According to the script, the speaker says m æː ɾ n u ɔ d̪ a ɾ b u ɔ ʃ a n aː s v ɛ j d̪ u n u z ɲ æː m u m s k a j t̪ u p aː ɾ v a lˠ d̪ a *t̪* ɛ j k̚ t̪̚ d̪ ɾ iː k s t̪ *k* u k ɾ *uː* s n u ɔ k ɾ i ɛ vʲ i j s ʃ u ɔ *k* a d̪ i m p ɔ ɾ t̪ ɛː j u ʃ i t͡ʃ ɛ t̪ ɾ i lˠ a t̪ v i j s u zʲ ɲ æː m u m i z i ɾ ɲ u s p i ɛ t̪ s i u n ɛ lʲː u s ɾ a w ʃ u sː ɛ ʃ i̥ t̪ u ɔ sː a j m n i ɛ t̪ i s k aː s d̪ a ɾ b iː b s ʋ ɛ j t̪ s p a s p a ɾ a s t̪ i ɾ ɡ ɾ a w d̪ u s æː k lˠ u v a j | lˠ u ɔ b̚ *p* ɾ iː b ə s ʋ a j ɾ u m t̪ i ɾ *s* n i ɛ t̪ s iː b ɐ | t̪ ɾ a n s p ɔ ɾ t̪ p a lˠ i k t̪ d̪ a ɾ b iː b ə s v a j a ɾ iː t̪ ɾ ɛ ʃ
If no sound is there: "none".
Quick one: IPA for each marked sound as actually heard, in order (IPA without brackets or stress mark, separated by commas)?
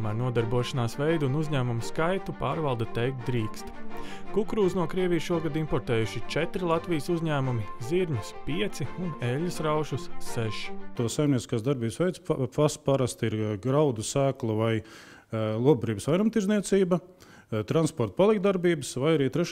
t̪, k, uː, ɡ, b, z